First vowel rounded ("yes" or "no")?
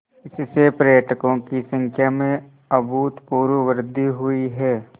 no